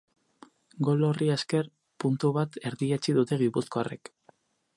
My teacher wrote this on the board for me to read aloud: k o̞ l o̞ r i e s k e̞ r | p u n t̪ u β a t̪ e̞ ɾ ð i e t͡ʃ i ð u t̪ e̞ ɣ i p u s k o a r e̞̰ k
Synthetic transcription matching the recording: ɡ o̞ l o̞ r i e s k e̞ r | p u n t̪ u β a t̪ e̞ ɾ ð i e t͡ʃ i ð u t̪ e̞ ɣ i p u s k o a r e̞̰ k